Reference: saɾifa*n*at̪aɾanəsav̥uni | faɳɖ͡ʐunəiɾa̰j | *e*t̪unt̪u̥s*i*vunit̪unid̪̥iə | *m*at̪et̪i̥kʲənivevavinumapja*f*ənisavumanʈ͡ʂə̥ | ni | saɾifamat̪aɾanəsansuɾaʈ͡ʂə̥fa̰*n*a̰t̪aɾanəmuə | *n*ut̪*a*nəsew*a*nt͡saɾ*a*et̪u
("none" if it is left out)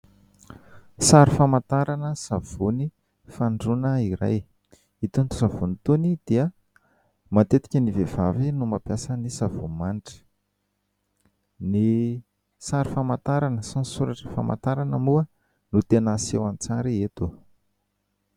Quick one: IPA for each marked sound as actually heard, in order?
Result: m, i, a, m, s, m, n, e, a, i

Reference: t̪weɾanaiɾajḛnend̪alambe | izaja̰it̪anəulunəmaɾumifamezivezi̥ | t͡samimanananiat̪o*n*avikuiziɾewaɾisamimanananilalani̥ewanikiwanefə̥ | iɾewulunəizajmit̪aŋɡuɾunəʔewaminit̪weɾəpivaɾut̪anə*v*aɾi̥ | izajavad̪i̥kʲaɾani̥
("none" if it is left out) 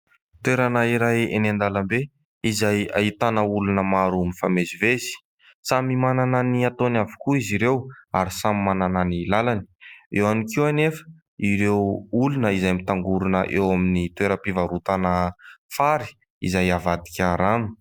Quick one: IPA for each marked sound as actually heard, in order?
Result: n, f

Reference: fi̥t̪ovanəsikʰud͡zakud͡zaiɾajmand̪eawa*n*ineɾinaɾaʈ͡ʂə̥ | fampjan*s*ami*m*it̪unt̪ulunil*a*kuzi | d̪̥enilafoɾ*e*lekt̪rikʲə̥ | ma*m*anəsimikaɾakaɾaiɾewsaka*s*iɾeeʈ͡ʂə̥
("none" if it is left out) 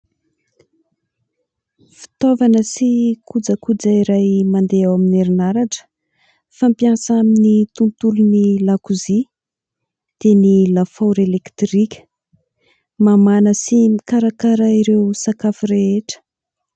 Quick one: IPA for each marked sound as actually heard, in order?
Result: m, s, n, a, e, m, f

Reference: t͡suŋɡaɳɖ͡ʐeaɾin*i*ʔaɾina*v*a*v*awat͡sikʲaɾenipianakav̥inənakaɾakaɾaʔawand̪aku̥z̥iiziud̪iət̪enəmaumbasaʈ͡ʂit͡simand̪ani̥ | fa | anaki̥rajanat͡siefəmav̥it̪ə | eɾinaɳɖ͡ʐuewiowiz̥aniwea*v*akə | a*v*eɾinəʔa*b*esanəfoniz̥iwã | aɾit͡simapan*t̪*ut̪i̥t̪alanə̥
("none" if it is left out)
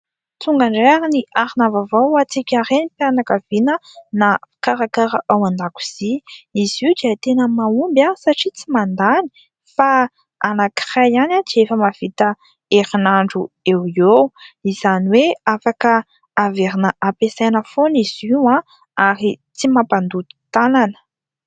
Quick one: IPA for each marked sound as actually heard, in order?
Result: i, v, v, f, v, p, d̪

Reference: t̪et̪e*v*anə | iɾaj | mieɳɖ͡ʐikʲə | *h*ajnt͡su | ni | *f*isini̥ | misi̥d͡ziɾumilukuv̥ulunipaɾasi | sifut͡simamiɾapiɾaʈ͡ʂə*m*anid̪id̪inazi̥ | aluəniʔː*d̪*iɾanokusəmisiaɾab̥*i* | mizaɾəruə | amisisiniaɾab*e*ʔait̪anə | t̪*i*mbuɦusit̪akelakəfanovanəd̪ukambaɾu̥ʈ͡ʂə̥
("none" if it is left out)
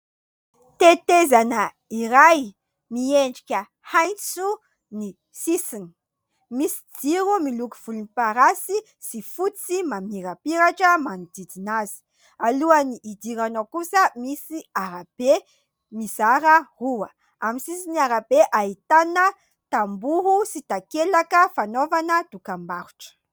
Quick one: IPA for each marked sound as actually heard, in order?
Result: z, h, s, m, d̪, e, e, a

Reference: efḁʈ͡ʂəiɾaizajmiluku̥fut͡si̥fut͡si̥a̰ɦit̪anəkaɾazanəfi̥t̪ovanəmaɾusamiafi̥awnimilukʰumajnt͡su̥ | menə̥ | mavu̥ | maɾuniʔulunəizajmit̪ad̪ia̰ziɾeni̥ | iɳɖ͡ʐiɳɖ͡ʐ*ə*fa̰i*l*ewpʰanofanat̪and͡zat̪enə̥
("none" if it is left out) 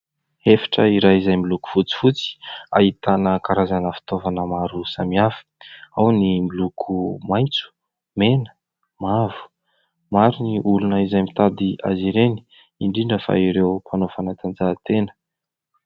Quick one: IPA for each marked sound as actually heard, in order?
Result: ə, ɾ

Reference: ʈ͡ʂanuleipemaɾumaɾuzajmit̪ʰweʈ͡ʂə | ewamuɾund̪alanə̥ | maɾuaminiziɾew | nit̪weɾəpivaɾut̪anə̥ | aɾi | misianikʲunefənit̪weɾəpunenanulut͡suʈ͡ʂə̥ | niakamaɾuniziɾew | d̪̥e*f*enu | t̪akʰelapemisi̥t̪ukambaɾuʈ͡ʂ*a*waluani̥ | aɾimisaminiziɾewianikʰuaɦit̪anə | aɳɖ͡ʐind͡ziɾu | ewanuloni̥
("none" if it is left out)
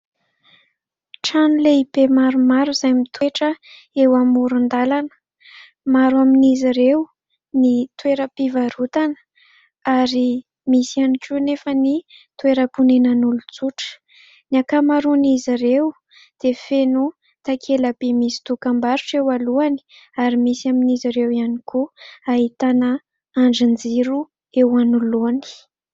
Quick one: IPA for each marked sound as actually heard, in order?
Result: f, e

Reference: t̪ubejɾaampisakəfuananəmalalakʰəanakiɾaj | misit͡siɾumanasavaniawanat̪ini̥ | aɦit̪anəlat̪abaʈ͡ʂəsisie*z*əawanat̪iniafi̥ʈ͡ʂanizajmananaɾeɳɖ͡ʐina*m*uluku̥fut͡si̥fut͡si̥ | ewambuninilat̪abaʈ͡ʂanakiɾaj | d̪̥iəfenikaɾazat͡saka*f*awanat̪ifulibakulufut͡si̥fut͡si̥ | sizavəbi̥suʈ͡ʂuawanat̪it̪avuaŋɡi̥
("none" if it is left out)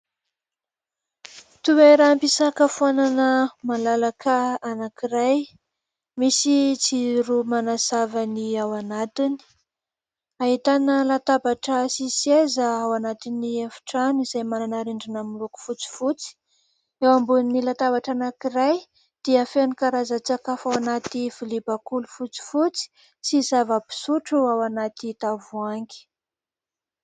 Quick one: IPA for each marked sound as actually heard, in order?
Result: z, m, f

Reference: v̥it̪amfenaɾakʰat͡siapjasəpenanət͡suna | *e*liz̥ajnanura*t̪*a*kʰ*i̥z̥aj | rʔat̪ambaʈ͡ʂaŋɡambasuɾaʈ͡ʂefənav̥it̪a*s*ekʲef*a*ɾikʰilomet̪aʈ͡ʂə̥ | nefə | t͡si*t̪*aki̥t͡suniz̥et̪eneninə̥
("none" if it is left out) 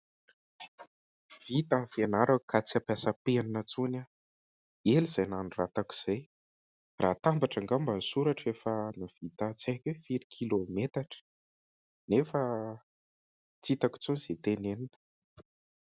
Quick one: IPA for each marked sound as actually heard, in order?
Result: e, t̪, k, t͡s, i, t̪

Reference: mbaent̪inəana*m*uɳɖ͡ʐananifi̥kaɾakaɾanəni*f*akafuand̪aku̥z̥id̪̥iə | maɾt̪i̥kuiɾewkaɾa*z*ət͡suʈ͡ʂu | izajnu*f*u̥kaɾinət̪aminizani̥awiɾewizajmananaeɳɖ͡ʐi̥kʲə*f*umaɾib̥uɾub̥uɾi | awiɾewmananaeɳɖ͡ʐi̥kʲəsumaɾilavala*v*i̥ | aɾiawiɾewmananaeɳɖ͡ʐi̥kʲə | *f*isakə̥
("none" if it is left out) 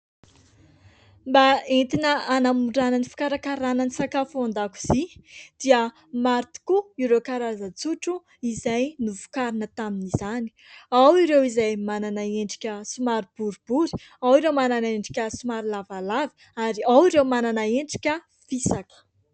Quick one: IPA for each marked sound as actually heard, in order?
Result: m, s, z, v, s, v, f

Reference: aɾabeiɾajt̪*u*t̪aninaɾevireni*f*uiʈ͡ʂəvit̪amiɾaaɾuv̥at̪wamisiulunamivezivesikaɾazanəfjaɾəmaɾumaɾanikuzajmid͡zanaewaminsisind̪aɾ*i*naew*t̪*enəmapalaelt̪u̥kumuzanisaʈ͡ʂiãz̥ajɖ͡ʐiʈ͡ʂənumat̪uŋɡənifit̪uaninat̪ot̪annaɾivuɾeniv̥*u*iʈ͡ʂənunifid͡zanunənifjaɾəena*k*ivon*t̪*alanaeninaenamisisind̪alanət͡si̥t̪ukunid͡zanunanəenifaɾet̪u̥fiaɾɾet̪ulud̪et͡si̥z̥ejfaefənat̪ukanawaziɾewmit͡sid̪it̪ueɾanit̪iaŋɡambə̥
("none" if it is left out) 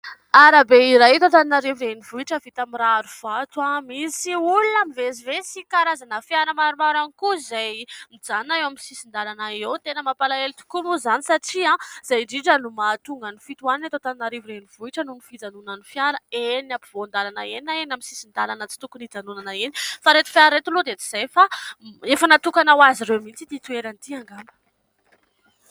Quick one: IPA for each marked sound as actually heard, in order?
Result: o, v, a, t̪, u, p, d̪

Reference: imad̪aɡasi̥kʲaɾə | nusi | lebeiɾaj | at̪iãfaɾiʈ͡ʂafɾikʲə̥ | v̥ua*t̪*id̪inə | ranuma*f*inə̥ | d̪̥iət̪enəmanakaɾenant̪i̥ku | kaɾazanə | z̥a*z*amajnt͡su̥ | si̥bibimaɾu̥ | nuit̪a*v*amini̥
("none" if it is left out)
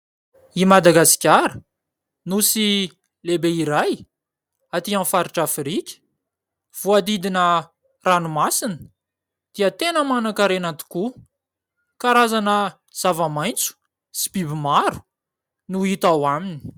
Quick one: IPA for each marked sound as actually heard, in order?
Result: d̪, s, v, w

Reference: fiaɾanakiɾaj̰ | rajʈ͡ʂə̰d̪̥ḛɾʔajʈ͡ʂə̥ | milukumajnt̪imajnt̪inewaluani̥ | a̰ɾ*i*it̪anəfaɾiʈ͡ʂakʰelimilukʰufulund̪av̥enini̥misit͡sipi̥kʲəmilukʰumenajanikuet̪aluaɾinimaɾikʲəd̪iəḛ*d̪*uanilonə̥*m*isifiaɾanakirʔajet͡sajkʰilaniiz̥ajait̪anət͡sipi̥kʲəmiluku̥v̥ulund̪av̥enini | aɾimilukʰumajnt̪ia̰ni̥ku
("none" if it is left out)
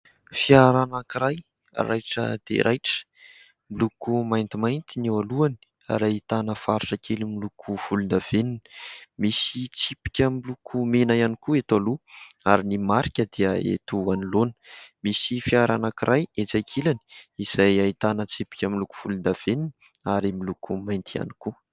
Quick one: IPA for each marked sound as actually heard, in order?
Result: a, t̪, m

